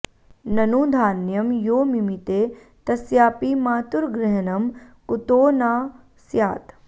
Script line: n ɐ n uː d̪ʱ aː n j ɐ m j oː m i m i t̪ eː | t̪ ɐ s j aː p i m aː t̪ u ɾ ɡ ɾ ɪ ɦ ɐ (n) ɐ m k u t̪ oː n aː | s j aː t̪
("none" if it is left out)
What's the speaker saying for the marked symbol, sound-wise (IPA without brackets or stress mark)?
n